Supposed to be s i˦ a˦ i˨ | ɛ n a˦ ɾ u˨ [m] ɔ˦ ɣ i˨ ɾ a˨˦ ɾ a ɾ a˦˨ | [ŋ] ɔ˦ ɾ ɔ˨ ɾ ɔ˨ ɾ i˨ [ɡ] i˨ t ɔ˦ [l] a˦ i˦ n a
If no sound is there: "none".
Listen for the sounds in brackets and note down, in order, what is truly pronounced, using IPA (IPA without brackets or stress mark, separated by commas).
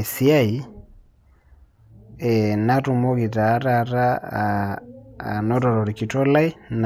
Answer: m, n, k, l